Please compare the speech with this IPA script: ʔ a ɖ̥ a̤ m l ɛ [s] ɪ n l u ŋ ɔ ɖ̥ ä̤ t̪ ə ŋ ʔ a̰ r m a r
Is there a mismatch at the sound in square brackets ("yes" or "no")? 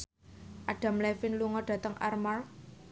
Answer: yes